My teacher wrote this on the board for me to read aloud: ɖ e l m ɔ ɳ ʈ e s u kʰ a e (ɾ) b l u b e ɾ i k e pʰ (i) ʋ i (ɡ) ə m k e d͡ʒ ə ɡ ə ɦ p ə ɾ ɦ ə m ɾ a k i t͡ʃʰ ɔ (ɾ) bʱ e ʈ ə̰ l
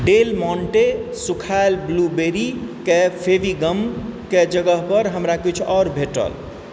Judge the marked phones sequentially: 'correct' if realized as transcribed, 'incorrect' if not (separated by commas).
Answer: incorrect, incorrect, correct, correct